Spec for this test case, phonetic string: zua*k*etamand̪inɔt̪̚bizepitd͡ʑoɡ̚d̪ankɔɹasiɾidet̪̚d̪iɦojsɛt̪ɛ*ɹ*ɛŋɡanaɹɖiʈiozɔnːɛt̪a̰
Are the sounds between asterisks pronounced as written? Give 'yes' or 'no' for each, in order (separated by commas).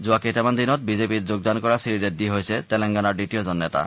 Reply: yes, no